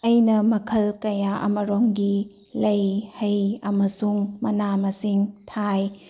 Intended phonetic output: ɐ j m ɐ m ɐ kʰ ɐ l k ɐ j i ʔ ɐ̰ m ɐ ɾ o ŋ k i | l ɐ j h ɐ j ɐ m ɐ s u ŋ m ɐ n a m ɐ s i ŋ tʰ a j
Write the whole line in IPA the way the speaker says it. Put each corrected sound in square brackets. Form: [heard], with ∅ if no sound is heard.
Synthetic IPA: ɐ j [n] ɐ m ɐ kʰ ɐ l k ɐ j [a] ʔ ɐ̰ m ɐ ɾ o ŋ [ɡ] i | l ɐ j h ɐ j ɐ m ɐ s u ŋ m ɐ n a m ɐ s i ŋ tʰ a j